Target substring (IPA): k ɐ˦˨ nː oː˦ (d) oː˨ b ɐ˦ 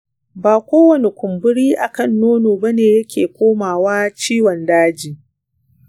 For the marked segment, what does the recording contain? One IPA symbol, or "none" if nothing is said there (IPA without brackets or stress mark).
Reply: n